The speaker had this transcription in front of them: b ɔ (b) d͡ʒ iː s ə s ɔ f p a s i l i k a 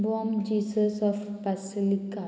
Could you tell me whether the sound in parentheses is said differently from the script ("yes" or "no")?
yes